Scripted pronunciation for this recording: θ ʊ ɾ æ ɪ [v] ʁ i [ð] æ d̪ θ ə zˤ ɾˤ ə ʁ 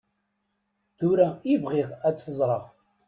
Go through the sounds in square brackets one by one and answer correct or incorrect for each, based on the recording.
correct, incorrect

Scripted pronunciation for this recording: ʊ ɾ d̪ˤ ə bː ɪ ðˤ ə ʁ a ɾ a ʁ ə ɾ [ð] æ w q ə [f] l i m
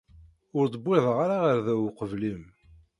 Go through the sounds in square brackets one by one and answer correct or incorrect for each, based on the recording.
correct, incorrect

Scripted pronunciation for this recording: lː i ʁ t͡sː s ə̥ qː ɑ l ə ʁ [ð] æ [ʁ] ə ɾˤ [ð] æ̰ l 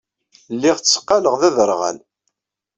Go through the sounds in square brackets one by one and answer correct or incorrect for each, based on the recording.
correct, incorrect, incorrect

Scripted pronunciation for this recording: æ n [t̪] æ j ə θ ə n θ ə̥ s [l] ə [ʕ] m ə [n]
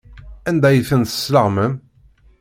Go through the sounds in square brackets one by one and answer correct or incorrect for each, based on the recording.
incorrect, correct, incorrect, incorrect

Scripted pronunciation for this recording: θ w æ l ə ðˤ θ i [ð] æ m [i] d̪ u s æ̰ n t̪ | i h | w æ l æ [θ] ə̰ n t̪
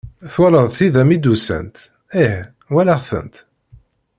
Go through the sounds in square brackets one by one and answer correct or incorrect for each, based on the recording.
correct, correct, correct

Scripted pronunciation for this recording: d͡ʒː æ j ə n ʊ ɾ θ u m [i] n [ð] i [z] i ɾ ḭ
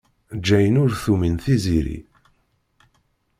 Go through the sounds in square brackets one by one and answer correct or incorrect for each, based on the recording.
correct, incorrect, correct

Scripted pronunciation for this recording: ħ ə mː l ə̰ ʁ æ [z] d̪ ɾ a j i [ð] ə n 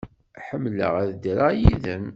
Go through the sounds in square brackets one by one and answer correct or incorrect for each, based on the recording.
incorrect, correct

